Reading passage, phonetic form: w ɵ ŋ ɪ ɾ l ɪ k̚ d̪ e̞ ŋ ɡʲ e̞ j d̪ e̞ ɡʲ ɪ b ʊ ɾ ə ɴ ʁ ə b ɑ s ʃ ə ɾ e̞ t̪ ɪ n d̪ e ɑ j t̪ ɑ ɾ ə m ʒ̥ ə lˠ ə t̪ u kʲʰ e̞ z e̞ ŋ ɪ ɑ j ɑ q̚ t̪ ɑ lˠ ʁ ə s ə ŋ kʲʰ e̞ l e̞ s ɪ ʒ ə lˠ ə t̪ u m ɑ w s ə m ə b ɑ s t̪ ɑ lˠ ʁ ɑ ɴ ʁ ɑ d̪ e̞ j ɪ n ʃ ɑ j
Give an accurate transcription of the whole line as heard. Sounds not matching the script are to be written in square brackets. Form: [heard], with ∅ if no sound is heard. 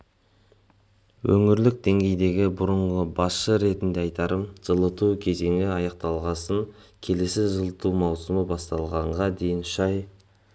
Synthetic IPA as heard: w ɵ ŋ ɪ ɾ l ɪ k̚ d̪ e̞ ŋ ɡʲ e̞ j d̪ e̞ ɡʲ ɪ b ʊ ɾ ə ɴ ʁ ə b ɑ s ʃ ə ɾ e̞ t̪ ɪ n d̪ e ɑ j t̪ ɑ ɾ ə m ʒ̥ ə lˠ ə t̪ u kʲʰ e̞ z e̞ ŋ ɪ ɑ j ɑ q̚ t̪ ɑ lˠ ʁ [ɑ] s ə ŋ kʲʰ e̞ l e̞ s ɪ ʒ ə lˠ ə t̪ u m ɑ w s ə m ə b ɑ s t̪ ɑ lˠ ʁ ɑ ɴ ʁ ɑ d̪ e̞ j ɪ n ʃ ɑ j

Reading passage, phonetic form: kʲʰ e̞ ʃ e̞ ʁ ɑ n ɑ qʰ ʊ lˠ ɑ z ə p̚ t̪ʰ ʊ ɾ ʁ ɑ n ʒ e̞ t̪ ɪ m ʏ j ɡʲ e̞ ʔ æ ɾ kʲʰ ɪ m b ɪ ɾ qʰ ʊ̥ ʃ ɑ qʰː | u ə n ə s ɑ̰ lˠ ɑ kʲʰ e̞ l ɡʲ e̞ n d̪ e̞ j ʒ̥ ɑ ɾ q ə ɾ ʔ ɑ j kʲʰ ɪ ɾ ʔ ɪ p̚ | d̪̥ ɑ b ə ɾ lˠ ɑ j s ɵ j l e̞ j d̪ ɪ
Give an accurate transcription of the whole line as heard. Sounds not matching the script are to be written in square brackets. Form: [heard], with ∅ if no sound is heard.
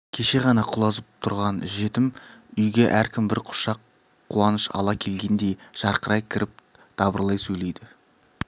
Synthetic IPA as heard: kʲʰ e̞ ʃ e̞ ʁ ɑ n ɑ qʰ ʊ lˠ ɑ z ə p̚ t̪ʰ ʊ ɾ ʁ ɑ n ʒ e̞ t̪ ɪ m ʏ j ɡʲ e̞ ʔ æ ɾ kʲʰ ɪ m b ɪ ɾ qʰ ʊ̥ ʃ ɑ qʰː | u [ɑ] n ə [ʃ] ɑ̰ lˠ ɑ kʲʰ e̞ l ɡʲ e̞ n d̪ e̞ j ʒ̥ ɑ ɾ q ə ɾ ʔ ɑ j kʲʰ ɪ ɾ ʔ ɪ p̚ | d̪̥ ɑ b ə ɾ lˠ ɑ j s ɵ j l e̞ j d̪ ɪ

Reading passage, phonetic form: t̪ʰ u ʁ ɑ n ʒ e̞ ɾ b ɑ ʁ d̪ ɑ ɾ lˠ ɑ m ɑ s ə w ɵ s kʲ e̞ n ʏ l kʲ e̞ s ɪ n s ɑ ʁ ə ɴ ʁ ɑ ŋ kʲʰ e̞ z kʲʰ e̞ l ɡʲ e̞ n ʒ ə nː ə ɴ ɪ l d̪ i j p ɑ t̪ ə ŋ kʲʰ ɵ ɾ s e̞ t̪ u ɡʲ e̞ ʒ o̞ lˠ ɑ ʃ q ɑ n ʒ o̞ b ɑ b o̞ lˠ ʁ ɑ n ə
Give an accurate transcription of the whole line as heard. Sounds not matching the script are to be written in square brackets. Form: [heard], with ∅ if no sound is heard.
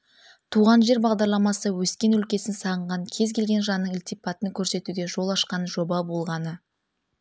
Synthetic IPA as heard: t̪ʰ u ʁ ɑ n ʒ e̞ ɾ b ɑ ʁ d̪ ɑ ɾ lˠ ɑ m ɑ s ə w ɵ s kʲ e̞ n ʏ l kʲ e̞ s ɪ n s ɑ ʁ ə ɴ ʁ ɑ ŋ kʲʰ e̞ z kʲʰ e̞ l ɡʲ e̞ n ʒ [ɑ] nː ə ɴ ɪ l [t̪] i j p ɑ t̪ ə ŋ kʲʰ ɵ ɾ s e̞ t̪ u ɡʲ e̞ ʒ o̞ lˠ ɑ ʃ q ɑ n ʒ o̞ b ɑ b o̞ lˠ ʁ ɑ n ə

